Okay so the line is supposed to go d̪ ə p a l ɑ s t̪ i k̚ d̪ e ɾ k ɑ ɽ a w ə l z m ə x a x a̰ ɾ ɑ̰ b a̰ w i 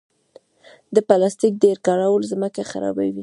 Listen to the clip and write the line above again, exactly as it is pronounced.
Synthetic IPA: d̪ ə p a l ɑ s t̪ i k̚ d̪ e ɾ k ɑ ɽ a w ə l z m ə k a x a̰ ɾ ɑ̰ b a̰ w i